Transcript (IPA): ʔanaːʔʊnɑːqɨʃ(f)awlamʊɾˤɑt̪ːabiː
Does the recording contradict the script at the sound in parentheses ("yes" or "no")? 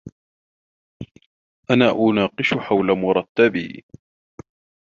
yes